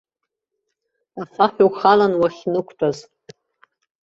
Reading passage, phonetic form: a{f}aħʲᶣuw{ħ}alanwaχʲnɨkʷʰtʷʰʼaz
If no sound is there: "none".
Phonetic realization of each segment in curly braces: f, χ

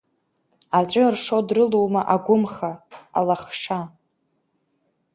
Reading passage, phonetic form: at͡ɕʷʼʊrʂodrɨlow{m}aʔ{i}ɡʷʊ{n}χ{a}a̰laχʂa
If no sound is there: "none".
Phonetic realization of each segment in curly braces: m, a, m, a

